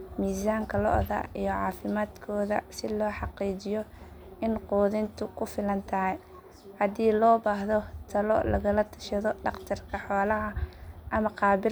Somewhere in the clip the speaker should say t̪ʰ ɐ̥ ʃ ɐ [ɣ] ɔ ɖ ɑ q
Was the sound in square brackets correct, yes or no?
no